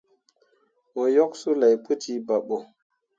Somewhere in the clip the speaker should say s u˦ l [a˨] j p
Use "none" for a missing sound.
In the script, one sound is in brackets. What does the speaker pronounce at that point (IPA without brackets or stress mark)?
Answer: a˨